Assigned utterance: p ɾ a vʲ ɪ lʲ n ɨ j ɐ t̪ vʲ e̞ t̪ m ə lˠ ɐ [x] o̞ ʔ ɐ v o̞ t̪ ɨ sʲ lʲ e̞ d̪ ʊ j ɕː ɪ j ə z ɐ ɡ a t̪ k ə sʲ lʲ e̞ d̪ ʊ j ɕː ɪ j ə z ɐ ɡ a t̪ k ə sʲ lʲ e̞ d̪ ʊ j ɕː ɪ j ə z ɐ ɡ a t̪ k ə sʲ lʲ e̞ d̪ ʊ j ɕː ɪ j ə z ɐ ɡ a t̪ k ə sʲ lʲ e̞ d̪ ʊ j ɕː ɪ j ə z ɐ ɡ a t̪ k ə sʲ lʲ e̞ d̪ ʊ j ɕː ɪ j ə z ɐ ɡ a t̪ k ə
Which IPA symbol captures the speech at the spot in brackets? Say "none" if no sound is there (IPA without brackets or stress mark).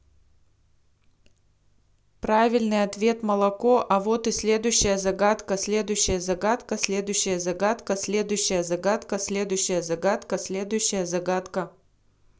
k